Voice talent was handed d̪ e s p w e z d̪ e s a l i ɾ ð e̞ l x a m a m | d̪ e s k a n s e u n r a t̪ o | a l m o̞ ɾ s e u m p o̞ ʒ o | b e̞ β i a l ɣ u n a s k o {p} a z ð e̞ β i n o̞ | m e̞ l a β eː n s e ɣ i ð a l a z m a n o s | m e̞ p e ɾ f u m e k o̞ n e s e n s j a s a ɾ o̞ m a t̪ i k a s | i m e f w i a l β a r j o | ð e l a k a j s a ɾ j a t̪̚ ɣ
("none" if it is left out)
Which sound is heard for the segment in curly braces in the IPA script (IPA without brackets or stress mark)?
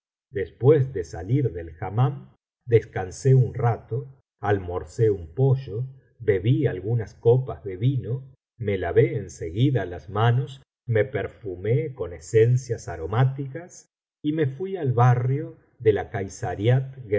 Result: p